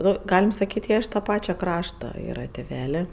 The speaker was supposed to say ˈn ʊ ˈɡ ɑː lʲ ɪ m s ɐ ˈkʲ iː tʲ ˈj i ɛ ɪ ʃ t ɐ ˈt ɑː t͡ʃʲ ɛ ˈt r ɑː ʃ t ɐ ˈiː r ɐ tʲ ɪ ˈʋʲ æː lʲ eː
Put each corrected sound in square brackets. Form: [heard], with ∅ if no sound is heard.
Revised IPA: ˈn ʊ ˈɡ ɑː lʲ ɪ m s ɐ ˈkʲ iː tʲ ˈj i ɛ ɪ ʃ t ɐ [ˈp] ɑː t͡ʃʲ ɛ [ˈk] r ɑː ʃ t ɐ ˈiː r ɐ tʲ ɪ ˈʋʲ æː lʲ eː